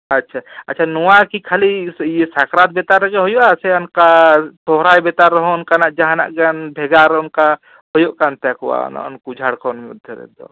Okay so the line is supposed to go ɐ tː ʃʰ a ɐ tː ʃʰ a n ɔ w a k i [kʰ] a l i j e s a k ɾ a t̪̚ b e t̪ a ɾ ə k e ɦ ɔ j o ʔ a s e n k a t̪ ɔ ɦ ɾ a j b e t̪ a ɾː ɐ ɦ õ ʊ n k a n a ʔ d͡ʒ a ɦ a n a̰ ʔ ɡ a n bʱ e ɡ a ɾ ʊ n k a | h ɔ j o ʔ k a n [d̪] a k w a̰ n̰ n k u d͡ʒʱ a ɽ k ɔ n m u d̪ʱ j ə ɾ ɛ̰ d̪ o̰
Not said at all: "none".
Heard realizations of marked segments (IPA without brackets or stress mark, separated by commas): kʰ, t̪